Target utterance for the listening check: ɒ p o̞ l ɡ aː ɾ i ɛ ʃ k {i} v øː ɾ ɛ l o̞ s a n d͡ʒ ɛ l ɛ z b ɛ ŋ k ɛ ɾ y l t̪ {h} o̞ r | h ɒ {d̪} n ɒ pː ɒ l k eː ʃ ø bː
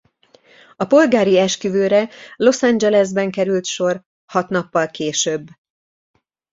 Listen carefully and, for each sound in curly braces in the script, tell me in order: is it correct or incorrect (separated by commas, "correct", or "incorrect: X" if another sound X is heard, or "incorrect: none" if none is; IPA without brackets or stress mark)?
incorrect: y, incorrect: ʃ, incorrect: t̪